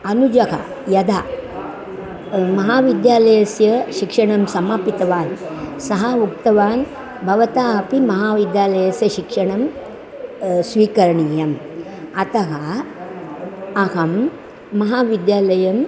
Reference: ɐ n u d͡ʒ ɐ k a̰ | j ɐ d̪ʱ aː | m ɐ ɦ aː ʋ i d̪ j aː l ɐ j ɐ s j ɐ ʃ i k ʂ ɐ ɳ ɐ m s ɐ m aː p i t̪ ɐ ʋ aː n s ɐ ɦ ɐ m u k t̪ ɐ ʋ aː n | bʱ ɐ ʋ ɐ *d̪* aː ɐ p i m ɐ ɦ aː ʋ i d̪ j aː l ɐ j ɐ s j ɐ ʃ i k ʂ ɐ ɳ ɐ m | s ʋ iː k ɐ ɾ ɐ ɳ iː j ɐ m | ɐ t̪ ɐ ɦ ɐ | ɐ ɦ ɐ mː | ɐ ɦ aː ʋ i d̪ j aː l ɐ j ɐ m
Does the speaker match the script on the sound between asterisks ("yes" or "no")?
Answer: no